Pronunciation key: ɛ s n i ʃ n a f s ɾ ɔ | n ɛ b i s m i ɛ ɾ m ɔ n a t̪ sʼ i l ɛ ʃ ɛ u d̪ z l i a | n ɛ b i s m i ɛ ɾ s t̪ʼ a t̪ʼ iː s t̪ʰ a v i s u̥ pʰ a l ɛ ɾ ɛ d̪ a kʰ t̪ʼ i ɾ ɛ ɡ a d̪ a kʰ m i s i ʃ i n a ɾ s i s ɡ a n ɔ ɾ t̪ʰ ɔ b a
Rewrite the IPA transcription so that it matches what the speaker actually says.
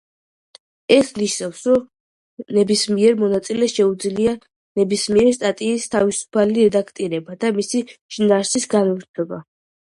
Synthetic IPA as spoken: ɛ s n i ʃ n a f s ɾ ɔ | n ɛ b i s m i ɛ ɾ m ɔ n a t̪ sʼ i l ɛ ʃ ɛ u d̪ z l i a | n ɛ b i s m i ɛ ɾ s t̪ʼ a t̪ʼ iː s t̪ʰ a v i s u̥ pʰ a l i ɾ ɛ d̪ a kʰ t̪ʼ i ɾ ɛ b a d̪ a m i s i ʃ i n a ɾ s i s ɡ a n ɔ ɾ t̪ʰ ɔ b a

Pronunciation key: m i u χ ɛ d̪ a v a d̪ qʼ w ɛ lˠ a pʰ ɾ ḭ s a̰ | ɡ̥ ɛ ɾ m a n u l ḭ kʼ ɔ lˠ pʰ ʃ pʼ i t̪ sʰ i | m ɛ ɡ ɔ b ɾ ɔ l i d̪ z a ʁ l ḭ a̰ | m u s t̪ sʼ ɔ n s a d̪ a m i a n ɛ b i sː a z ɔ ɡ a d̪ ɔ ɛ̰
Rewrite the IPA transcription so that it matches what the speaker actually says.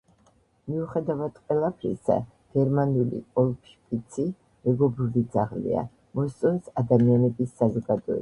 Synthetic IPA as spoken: m i u χ ɛ d̪ a v a d̪ qʼ w ɛ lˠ a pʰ ɾ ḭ s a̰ | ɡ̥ ɛ ɾ m a n u l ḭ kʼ ɔ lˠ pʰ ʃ pʼ i t̪ sʰ i | m ɛ ɡ ɔ b ɾ u l i d̪ z a ʁ l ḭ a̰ | m ɔ s t̪ sʼ ɔ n s a d̪ a m i a n ɛ b i sː a z ɔ ɡ a d̪ ɔ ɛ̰

